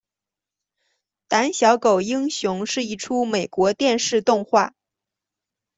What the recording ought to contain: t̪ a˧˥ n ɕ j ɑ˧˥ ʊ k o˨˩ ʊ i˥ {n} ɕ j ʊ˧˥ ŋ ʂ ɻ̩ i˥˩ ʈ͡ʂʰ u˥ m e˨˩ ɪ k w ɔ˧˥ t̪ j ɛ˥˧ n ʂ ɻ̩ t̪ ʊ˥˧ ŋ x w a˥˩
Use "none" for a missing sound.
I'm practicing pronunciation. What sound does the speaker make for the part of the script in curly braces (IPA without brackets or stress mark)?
ŋ